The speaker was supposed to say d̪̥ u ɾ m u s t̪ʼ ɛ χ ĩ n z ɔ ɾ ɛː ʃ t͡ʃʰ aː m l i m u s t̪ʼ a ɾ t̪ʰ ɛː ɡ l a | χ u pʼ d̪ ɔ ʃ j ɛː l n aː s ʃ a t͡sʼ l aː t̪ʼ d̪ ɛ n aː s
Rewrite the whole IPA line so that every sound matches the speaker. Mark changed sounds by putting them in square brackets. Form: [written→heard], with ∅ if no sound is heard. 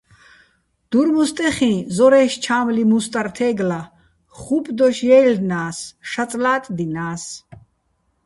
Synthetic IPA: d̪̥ u ɾ m u s t̪ʼ ɛ χ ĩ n z ɔ ɾ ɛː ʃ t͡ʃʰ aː m l i m u s t̪ʼ a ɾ t̪ʰ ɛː ɡ l a | χ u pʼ d̪ ɔ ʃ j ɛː l n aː s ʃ a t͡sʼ l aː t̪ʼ d̪ [ɛ→i] n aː s